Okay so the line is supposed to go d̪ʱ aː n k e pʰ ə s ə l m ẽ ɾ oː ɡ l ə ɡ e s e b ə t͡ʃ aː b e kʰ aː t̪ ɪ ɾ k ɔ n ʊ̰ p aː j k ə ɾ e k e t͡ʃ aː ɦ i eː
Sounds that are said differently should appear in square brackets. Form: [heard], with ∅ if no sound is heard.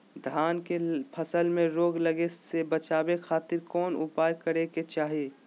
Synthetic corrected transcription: d̪ʱ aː n k e pʰ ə s ə l m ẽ ɾ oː ɡ l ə ɡ e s e b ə t͡ʃ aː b e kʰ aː t̪ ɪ ɾ k [ɔː] n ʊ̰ p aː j k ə ɾ e k e t͡ʃ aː ɦ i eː